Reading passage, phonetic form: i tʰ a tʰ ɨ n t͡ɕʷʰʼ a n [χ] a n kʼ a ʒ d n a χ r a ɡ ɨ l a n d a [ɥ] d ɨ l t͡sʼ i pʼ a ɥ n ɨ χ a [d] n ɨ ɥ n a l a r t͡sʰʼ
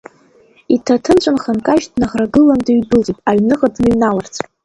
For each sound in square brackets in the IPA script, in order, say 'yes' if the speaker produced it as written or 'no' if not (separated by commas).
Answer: yes, yes, yes